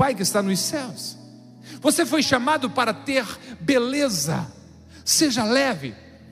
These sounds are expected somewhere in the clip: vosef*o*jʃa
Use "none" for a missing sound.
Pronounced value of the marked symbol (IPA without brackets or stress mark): o